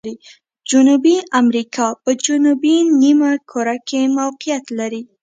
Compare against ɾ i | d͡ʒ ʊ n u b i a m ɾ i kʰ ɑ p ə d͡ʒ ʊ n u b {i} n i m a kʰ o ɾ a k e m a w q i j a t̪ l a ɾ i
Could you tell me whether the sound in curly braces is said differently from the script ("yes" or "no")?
no